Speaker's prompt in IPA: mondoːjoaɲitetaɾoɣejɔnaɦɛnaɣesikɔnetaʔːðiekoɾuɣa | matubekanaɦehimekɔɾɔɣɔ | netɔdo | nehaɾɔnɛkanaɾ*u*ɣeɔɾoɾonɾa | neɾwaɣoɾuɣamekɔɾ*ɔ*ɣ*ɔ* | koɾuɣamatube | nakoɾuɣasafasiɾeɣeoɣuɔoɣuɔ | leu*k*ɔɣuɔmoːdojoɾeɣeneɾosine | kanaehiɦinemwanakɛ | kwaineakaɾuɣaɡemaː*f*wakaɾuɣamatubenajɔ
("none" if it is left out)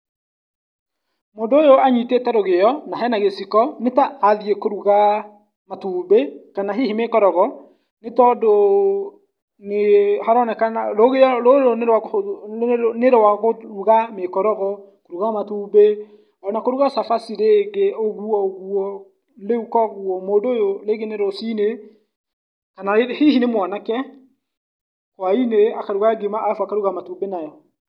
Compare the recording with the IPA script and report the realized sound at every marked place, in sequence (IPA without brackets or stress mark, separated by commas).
o, ɔ, ɔ, k, f